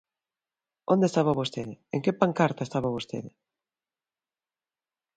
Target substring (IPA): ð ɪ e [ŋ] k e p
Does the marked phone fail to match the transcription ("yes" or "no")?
no